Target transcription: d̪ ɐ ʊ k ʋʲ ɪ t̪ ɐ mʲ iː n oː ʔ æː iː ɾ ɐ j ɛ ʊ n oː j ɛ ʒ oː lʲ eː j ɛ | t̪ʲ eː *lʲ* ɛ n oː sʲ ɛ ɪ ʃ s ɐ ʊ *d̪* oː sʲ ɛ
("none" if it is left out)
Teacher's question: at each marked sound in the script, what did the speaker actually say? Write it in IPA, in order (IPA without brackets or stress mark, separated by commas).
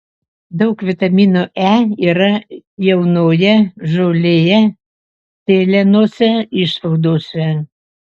lʲ, d̪